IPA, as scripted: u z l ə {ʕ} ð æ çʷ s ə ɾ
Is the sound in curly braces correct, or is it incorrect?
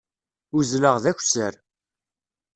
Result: incorrect